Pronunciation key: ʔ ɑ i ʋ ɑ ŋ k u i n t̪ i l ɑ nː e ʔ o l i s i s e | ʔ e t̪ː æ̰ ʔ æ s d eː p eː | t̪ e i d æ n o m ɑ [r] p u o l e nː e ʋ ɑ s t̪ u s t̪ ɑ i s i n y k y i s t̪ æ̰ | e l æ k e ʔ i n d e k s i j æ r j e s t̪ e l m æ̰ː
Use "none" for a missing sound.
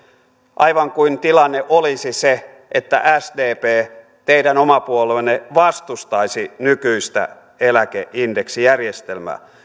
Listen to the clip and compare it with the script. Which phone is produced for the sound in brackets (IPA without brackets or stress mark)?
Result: none